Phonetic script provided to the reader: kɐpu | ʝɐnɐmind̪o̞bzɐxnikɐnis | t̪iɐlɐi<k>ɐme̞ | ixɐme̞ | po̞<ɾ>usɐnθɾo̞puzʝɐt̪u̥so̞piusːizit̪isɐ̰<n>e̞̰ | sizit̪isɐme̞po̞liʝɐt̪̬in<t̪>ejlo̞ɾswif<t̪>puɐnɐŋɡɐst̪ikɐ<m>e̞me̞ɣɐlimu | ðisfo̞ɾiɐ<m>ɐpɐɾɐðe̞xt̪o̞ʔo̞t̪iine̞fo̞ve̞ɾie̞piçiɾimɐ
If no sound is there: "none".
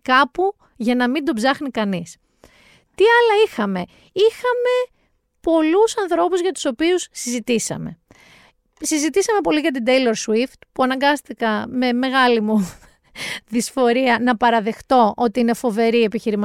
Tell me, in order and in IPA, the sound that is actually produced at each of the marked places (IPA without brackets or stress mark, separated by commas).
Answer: x, l, m, d̪, t̪, m, n